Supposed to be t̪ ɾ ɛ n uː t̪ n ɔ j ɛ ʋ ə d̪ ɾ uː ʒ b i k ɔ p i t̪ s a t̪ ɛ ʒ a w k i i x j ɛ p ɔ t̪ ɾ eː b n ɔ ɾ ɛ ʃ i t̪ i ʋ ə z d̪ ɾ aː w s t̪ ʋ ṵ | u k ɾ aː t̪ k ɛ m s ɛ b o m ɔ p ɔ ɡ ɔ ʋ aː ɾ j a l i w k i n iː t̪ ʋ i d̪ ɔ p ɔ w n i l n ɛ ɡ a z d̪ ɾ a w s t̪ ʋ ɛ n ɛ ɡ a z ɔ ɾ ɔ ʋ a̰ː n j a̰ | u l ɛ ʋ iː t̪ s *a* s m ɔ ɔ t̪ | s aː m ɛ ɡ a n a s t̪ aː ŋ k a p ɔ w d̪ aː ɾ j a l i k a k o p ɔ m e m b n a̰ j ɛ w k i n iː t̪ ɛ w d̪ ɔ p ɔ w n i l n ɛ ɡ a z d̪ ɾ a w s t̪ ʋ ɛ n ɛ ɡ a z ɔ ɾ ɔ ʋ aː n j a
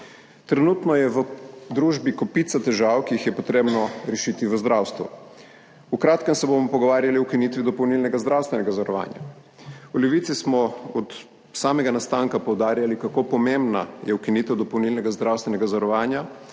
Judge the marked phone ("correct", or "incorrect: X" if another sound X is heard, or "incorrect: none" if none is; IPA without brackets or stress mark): incorrect: i